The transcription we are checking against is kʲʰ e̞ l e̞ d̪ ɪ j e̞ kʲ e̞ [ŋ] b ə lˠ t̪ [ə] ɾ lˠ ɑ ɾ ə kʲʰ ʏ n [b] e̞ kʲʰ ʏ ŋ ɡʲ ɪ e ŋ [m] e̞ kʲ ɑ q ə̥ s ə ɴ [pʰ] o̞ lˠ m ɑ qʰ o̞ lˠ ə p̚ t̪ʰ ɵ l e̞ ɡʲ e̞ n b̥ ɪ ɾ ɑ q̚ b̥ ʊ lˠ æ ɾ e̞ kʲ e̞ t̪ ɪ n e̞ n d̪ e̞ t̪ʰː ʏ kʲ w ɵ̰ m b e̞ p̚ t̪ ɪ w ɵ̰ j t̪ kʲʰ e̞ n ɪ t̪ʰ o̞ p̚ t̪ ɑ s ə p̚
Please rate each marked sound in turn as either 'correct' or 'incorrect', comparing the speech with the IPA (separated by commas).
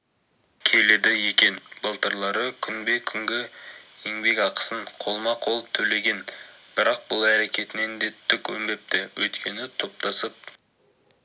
incorrect, correct, correct, incorrect, incorrect